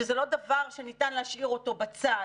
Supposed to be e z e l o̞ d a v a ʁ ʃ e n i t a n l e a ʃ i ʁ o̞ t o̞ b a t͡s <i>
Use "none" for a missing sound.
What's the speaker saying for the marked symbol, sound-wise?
a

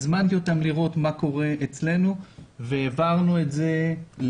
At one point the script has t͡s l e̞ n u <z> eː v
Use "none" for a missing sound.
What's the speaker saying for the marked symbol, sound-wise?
v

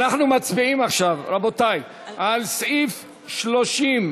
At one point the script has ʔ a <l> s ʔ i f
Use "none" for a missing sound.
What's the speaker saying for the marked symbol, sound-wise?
l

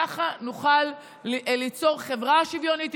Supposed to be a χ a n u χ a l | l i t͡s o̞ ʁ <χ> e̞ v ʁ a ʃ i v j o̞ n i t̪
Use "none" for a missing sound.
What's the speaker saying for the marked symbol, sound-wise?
χ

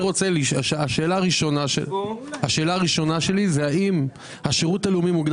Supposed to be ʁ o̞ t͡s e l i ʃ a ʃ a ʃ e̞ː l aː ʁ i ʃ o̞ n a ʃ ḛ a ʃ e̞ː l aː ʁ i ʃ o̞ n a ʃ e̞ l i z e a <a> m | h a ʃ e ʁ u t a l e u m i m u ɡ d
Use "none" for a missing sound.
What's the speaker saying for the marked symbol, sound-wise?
i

